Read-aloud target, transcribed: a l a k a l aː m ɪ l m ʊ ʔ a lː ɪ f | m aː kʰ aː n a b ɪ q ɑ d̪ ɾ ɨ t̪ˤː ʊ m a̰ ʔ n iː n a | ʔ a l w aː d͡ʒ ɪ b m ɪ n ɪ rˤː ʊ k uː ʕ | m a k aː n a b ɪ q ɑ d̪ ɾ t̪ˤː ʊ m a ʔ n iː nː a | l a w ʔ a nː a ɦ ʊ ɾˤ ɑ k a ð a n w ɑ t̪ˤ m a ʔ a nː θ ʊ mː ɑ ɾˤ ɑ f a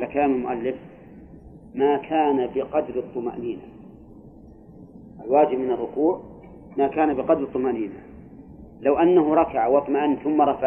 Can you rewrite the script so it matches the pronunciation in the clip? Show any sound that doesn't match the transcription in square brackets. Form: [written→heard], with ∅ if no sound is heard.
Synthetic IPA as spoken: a l a k a l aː m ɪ l m ʊ ʔ a lː ɪ f | m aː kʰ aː n a b ɪ q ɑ d̪ ɾ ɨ t̪ˤː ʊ m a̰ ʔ n iː n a | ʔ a l w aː d͡ʒ ɪ b m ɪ n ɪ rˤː ʊ k uː ʕ | m a k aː n a b ɪ q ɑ d̪ ɾ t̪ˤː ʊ m a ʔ n iː [nː→n] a | l a w ʔ a nː a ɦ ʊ ɾˤ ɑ k a [ð→ʕ] a [n→∅] w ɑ t̪ˤ m a ʔ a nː θ ʊ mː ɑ ɾˤ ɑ f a